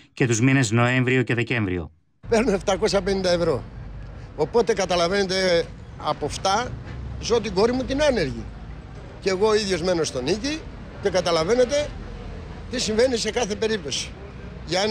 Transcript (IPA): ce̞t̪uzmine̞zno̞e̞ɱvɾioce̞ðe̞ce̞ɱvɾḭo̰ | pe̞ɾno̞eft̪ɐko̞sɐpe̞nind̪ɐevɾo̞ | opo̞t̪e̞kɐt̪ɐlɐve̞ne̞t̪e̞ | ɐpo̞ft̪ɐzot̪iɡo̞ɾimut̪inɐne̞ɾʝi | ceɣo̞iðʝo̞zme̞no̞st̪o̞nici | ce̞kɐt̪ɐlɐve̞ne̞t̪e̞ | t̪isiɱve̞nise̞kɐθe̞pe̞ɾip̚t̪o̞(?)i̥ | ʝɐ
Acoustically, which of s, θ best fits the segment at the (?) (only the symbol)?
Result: s